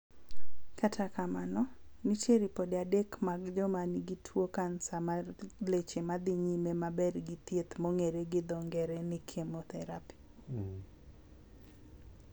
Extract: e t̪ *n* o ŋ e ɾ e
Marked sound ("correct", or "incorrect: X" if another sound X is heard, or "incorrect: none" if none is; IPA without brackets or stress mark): incorrect: m